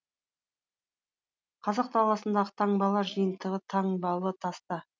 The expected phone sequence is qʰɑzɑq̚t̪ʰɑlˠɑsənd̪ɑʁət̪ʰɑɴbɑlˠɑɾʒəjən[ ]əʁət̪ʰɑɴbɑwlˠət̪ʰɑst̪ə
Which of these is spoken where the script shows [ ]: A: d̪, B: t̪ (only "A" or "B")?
B